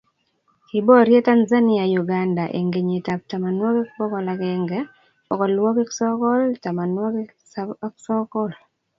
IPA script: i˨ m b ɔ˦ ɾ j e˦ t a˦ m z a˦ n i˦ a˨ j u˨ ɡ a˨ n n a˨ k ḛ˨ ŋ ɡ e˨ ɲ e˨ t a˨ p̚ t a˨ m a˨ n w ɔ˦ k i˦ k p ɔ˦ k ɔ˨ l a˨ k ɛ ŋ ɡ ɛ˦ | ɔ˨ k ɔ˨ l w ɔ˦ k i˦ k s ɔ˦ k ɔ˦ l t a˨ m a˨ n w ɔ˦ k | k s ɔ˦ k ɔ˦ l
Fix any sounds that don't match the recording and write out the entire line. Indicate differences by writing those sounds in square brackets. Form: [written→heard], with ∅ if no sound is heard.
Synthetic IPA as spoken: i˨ [m→∅] b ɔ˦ ɾ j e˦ t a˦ [m→n] z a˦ n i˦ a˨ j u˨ ɡ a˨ n [n→d] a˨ [k→ʔ] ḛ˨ ŋ ɡ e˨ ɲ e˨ t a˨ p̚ t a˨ m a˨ n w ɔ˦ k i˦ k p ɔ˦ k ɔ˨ l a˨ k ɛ ŋ ɡ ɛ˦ | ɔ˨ k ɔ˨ l w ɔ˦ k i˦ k s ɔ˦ k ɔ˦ l t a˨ m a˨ n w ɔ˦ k | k s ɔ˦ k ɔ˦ l